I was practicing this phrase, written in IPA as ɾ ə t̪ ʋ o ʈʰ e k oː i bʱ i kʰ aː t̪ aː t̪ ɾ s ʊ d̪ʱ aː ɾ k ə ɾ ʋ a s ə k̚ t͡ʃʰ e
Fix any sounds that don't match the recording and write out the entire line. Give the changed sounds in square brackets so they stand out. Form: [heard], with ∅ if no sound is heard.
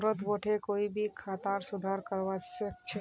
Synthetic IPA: ɾ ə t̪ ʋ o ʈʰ e k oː i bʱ i kʰ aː t̪ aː [∅] ɾ s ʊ d̪ʱ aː ɾ k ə ɾ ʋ a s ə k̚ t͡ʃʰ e

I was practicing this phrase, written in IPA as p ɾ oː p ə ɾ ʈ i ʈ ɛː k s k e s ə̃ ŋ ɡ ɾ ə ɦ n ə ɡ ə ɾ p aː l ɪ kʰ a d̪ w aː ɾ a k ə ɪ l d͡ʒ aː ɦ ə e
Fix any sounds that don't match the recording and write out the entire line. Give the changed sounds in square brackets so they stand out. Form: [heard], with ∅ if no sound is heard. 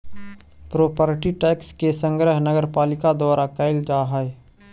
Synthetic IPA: p ɾ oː p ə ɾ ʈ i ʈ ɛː k s k e s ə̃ ŋ ɡ ɾ ə ɦ n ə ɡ ə ɾ p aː l ɪ [k] a d̪ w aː ɾ a k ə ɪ l d͡ʒ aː ɦ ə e

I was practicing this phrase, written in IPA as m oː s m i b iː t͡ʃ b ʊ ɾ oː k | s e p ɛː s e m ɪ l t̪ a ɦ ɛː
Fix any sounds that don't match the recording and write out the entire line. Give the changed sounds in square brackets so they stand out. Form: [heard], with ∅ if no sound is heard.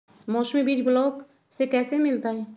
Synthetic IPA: m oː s m i b iː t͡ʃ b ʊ [l] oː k | s e [k] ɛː s e m ɪ l t̪ a ɦ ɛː

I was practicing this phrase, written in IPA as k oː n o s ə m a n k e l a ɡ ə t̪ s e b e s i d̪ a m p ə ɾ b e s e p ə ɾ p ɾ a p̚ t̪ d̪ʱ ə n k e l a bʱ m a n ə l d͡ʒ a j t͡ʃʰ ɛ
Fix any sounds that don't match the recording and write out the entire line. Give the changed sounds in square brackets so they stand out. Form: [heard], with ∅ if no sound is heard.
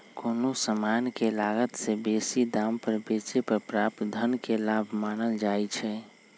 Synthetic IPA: k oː n o s ə m a n k e l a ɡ ə t̪ s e b e s i d̪ a m p ə ɾ b e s e p ə ɾ p ɾ a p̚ t̪ d̪ʱ ə n k e l a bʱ m a n ə l d͡ʒ a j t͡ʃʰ ɛ

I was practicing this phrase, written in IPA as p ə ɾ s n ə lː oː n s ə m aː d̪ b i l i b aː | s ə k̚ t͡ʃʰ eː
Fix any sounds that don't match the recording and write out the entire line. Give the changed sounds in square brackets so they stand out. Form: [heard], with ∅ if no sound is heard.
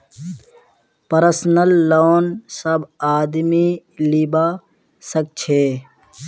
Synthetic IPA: p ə ɾ s n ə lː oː n s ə [b] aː d̪ [m] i l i b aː | s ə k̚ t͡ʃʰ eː

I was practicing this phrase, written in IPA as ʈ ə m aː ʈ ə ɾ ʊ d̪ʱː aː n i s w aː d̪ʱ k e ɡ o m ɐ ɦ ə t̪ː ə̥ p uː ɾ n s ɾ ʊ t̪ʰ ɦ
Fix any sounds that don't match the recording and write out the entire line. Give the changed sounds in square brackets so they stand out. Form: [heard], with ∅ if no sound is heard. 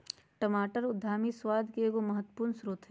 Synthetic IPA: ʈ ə m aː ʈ ə ɾ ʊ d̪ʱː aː [m] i s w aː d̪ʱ k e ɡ o m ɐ ɦ ə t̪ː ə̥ p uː ɾ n s ɾ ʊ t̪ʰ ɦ

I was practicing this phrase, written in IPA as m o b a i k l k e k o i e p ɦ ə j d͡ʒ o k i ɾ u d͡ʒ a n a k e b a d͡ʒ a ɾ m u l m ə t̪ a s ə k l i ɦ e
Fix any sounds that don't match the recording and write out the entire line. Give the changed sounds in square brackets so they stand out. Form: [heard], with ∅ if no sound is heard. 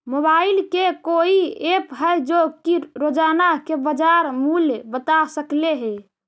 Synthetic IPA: m o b a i [∅] l k e k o i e p ɦ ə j d͡ʒ o k i ɾ [o] d͡ʒ a n a k e b [ə] d͡ʒ a ɾ m u l [b] ə t̪ a s ə k l [e] ɦ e

